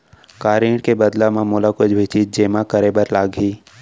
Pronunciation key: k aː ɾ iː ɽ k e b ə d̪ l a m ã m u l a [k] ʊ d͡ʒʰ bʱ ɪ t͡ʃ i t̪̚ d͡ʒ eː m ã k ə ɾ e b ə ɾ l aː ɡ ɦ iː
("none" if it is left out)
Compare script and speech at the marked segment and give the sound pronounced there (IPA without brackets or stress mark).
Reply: k